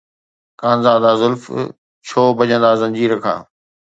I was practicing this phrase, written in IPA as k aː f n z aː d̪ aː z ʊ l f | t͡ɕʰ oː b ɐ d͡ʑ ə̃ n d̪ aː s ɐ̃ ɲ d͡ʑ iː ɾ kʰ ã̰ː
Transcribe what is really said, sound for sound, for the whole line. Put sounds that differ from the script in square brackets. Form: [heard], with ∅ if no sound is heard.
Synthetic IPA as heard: k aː [∅] n z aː d̪ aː z ʊ l f | t͡ɕʰ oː b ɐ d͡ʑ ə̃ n d̪ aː [z] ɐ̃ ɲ d͡ʑ iː ɾ kʰ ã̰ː